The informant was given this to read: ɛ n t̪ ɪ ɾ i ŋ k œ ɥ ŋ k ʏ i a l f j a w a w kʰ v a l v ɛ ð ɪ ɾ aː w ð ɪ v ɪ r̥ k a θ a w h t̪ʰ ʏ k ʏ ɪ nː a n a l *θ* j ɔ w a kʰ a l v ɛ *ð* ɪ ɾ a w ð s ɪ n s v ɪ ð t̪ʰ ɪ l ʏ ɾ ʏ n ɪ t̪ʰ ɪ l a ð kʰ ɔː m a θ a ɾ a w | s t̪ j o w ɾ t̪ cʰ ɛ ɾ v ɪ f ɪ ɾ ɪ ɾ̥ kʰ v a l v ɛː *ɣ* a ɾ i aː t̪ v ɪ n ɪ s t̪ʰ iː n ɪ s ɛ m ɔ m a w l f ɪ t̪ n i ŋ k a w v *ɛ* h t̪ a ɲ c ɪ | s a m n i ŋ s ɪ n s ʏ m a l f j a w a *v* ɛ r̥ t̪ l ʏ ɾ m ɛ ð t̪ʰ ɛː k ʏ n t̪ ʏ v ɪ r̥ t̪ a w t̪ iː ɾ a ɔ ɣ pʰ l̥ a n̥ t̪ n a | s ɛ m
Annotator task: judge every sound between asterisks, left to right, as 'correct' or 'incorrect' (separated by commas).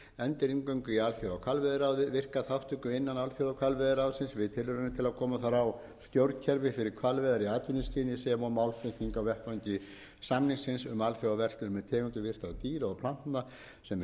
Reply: incorrect, correct, incorrect, correct, correct